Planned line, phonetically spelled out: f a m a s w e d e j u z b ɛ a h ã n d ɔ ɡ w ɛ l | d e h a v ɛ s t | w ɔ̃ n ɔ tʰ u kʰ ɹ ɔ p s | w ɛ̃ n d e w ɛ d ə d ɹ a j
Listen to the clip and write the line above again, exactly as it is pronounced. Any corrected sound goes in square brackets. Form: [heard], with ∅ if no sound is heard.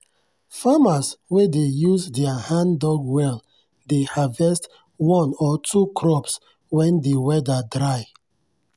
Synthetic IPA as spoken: f a m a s w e d e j u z [d] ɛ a h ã n d ɔ ɡ w ɛ l | d e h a v ɛ s t | w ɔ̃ n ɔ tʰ u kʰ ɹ ɔ p s | w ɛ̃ n d e w ɛ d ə d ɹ a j